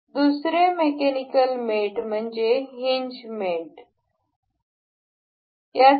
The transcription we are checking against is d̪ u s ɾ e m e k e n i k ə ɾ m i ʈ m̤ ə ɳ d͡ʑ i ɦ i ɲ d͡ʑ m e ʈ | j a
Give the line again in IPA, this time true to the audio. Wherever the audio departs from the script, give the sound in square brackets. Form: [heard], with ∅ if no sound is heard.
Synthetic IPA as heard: d̪ u s ɾ e m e k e n i k ə [l] m [e] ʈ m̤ ə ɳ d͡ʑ [e] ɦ i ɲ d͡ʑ m e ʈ | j a